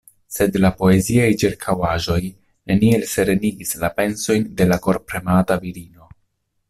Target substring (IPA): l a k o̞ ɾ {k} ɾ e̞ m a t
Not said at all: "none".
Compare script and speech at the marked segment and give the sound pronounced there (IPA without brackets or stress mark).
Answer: p